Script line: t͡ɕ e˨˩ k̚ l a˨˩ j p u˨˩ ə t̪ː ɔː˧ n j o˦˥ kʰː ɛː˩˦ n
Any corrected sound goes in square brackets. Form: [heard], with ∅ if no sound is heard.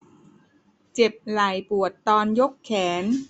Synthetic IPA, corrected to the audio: t͡ɕ e˨˩ [p̚] l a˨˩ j p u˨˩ ə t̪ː ɔː˧ n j o˦˥ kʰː ɛː˩˦ n